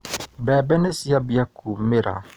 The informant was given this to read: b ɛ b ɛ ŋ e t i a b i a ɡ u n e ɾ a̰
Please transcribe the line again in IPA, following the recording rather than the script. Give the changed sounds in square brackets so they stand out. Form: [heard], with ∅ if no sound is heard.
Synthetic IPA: b ɛ b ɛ [n] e [s] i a b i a [k] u [m] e ɾ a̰